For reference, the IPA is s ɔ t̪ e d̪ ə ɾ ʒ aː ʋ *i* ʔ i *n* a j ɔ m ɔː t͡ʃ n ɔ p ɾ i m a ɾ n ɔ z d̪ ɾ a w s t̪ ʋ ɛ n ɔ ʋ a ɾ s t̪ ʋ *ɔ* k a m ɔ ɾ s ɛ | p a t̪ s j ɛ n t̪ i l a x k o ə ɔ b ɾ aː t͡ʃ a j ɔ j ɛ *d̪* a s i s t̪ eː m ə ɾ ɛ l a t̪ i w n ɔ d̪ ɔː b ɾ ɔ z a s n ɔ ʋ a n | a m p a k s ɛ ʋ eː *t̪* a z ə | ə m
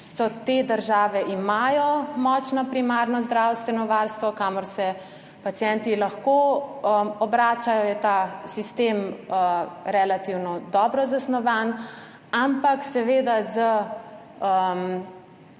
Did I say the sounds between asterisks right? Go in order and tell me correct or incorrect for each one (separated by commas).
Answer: incorrect, incorrect, correct, incorrect, incorrect